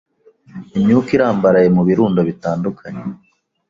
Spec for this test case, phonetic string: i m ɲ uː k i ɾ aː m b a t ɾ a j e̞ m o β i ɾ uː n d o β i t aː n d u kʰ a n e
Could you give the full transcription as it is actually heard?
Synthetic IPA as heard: i m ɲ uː k i ɾ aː m b a ɾ a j e̞ m u β i ɾ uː n d o β i t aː n d u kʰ a ɲ e